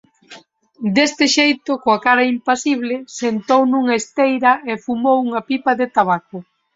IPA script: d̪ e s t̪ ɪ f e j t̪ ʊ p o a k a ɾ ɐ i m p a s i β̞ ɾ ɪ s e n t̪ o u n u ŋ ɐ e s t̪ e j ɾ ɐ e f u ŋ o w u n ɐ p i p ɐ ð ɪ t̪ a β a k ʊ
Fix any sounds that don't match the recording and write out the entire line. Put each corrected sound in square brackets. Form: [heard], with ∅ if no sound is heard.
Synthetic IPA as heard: d̪ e s t̪ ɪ [ʃ] e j t̪ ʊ [k] o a k a ɾ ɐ i m p a s i β̞ [l] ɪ s e n t̪ o [w] n u ŋ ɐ e s t̪ e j ɾ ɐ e f u [m] o w u [ŋ] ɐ p i p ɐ ð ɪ t̪ a β a k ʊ